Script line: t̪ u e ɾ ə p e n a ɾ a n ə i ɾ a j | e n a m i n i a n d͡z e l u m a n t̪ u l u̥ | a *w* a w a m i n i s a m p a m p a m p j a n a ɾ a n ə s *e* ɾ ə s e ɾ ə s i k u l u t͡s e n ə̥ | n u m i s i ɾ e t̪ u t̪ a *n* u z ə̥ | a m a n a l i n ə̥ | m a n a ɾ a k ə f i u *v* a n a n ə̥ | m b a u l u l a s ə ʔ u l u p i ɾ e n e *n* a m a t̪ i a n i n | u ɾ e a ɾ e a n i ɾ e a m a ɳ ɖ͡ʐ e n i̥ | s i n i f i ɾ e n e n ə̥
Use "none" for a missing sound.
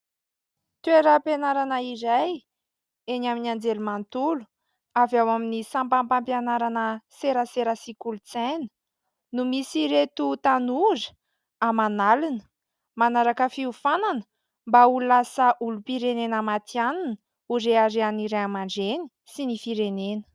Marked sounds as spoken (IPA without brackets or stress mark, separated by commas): v, e, n, f, n